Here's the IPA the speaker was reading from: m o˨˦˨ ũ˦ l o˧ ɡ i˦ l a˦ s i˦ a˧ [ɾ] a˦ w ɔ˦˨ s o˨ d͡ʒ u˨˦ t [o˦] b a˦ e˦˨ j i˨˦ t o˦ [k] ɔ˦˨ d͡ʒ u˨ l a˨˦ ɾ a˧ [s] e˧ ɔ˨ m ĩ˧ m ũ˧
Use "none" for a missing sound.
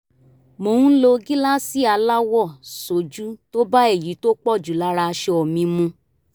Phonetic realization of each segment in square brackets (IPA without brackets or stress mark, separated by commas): l, o˦, k͡p, ʃ